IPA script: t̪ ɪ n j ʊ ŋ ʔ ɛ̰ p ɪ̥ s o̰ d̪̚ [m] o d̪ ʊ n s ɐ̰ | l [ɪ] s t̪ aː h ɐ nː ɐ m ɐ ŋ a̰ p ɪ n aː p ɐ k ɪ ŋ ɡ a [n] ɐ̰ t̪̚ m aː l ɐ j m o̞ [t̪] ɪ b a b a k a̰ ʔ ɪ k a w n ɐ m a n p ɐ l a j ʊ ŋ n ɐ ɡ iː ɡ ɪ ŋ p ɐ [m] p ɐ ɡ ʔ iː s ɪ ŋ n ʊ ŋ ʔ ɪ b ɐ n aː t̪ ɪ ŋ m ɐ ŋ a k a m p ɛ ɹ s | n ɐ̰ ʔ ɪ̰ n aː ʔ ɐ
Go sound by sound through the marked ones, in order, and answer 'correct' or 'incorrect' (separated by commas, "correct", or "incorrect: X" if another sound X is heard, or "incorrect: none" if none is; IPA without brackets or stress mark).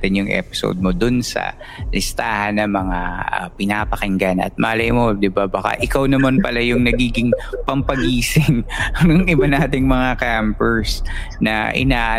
correct, correct, correct, incorrect: d̪, correct